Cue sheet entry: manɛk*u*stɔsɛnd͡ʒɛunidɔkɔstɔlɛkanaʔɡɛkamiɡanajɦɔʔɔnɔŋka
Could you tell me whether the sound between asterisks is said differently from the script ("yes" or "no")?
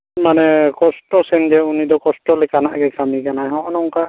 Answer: yes